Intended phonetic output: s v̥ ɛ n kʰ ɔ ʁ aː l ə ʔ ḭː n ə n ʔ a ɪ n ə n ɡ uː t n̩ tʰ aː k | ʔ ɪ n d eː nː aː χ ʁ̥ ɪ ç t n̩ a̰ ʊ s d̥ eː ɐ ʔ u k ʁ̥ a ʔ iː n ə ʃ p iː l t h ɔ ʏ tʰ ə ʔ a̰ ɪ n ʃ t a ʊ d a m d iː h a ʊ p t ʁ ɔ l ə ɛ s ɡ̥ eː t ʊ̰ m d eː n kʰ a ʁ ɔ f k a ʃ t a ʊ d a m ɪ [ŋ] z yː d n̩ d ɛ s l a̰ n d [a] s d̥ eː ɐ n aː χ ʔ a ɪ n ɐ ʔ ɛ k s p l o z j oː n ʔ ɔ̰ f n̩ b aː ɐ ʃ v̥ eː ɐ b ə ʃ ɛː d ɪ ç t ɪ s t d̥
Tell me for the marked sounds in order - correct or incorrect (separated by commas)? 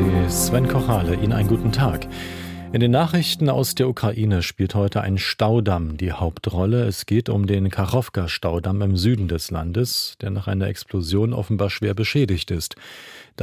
incorrect, incorrect